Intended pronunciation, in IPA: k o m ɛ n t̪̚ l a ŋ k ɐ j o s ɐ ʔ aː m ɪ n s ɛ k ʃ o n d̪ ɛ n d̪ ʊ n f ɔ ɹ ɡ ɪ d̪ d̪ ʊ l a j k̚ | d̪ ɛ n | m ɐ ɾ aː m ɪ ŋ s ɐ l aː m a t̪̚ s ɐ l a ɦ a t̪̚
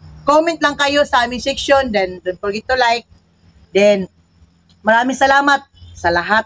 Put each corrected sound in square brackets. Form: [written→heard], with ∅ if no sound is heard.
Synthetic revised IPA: k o m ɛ n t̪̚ l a ŋ k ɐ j o s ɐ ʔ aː m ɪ [n→ŋ] s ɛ k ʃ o n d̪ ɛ n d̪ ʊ n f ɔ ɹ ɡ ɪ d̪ [d̪→t̪] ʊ l a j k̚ | d̪ ɛ n | m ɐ ɾ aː m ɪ ŋ s ɐ l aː m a t̪̚ s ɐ l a ɦ a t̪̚

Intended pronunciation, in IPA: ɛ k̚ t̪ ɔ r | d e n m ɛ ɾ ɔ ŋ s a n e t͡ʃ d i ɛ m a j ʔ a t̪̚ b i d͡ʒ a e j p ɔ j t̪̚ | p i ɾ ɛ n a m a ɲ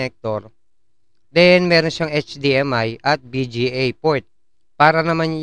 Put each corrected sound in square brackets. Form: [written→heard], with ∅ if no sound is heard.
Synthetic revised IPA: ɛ k̚ t̪ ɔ r | d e n m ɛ ɾ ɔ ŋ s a [n→ŋ] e t͡ʃ d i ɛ m a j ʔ a t̪̚ b i d͡ʒ [a→i] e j p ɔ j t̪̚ | p [i→a] ɾ [ɛ→a] n a m a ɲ

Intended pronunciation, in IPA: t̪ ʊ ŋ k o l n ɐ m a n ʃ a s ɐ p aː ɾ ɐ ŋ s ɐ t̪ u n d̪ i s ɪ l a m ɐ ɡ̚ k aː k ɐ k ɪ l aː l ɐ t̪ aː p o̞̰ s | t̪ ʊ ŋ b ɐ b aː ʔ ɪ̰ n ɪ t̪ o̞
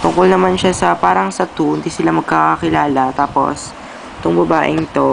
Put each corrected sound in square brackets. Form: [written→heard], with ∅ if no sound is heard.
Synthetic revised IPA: t̪ ʊ ŋ k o l n ɐ m a n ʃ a s ɐ p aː ɾ ɐ ŋ s ɐ t̪ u n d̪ i s ɪ l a m ɐ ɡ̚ k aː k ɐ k ɪ l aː l ɐ t̪ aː p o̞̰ s | t̪ ʊ ŋ b ɐ b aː ʔ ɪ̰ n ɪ t̪ o̞

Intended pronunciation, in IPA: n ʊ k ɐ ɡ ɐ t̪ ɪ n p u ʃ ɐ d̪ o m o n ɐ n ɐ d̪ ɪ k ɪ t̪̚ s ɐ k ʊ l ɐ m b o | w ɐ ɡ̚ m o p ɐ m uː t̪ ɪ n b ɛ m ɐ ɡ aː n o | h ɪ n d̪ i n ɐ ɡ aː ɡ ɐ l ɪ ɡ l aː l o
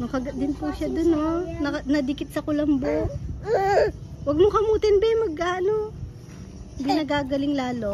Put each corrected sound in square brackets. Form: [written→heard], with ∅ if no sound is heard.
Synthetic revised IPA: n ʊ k ɐ ɡ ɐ [t̪→d̪] ɪ n p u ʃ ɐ d̪ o [m→n] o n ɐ n ɐ d̪ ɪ k ɪ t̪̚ s ɐ k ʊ l ɐ m b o | w ɐ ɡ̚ m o [p→k] ɐ m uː t̪ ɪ n b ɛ m ɐ ɡ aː n o | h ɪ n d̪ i n ɐ ɡ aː ɡ ɐ l ɪ [ɡ→ŋ] l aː l o

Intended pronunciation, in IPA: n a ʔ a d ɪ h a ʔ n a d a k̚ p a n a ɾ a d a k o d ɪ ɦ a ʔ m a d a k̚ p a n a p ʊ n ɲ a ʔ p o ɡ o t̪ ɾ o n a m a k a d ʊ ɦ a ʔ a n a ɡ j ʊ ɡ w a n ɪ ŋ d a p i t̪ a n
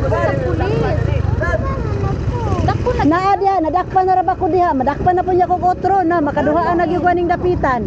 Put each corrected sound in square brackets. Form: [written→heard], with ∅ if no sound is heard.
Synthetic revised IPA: n a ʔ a d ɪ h a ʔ n a d a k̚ p a n a ɾ a [d→b] a k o d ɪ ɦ a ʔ m a d a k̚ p a n a p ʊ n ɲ a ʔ [p→k] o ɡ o t̪ ɾ o n a m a k a d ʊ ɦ a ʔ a n a ɡ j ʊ ɡ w a n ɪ ŋ d a p i t̪ a n

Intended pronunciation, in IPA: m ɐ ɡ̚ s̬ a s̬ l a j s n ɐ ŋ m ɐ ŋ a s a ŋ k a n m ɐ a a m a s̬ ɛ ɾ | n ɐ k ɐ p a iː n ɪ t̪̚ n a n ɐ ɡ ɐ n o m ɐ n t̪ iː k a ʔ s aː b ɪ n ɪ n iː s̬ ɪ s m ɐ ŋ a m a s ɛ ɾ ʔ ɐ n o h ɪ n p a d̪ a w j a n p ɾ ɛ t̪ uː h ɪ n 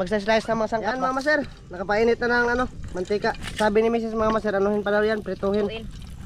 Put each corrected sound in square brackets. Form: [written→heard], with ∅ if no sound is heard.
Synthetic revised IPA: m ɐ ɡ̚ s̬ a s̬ l a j s n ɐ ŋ m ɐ ŋ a s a ŋ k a n m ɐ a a m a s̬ ɛ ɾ | n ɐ k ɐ p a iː n ɪ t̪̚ n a n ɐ [ɡ→ŋ] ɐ n o m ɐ n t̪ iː k a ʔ s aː b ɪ n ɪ [n→m] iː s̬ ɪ s m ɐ ŋ a m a s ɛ ɾ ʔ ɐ n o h ɪ n p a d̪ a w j a n p ɾ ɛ t̪ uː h ɪ n

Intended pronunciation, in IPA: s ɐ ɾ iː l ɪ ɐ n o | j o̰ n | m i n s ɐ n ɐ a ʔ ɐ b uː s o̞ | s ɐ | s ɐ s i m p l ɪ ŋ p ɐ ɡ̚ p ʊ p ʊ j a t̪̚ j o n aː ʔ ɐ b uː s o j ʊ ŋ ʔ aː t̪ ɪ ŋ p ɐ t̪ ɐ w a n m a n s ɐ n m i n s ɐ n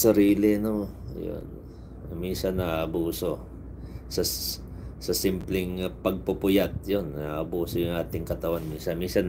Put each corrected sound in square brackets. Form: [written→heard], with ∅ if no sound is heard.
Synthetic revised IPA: s ɐ ɾ iː l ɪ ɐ n o | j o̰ n | m i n s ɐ n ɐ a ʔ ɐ b uː s o̞ | s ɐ | s ɐ s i m p l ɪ ŋ p ɐ ɡ̚ p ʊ p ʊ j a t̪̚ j o n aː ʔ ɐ b uː s o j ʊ ŋ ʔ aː t̪ ɪ ŋ [p→k] ɐ t̪ ɐ w a n m [a→i] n s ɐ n m i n s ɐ n

